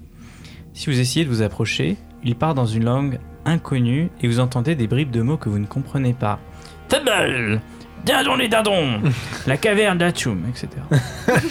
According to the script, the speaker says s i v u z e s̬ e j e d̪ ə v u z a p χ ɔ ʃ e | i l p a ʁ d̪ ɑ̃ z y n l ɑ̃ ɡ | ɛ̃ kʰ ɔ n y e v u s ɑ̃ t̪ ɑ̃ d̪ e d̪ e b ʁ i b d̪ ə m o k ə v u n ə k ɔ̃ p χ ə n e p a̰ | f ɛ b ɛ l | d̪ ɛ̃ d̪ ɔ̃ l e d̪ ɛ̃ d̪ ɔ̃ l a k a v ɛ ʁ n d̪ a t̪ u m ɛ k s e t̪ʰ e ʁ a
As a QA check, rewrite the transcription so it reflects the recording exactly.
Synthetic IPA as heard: s i v u z e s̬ e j e d̪ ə v u z a p χ ɔ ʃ e | i l p a ʁ d̪ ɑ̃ z y n l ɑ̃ ɡ | ɛ̃ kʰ ɔ n y e v u z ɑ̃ t̪ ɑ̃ d̪ e d̪ e b ʁ i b d̪ ə m o k ə v u n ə k ɔ̃ p χ ə n e p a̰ | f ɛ b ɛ l | d̪ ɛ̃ d̪ ɔ̃ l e d̪ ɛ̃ d̪ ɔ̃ l a k a v ɛ ʁ n d̪ a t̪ u m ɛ k s e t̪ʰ e ʁ a